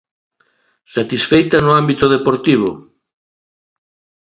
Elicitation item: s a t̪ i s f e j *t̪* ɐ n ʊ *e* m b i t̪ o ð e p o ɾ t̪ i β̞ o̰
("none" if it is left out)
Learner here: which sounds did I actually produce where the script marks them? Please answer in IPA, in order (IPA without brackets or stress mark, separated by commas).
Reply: t̪, a